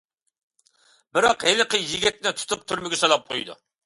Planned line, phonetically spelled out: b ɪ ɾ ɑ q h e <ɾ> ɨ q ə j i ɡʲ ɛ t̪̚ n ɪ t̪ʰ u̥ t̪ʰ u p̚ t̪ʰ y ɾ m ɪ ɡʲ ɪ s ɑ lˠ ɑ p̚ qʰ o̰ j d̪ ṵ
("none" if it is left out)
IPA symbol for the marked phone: l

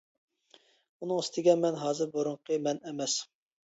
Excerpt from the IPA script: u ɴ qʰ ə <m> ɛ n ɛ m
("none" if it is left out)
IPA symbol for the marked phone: m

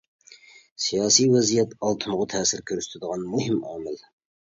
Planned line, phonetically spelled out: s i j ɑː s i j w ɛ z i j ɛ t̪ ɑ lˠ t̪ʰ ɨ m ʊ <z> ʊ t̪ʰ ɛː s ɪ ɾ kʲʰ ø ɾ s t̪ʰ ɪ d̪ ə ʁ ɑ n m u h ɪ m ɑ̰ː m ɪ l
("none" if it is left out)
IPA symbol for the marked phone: ʁ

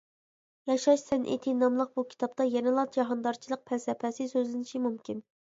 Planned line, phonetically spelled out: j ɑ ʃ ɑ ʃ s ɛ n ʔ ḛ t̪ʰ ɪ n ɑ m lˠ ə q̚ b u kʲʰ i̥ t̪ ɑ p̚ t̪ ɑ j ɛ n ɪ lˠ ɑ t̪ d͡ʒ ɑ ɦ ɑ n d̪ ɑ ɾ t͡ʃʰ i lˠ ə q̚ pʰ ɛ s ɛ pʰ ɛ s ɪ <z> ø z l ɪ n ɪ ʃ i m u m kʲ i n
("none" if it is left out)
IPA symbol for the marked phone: s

